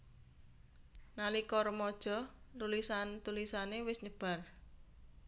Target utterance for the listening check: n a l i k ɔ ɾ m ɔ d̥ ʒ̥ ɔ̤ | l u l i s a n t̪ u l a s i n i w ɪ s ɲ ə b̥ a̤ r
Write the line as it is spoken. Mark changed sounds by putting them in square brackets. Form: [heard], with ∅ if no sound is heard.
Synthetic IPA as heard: n a l i k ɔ ɾ m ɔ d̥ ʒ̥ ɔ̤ | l u l i s a n t̪ u l [i] s [a] n [e] w ɪ s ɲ ə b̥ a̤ r